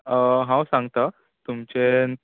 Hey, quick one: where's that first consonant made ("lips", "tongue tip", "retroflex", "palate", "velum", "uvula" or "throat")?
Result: throat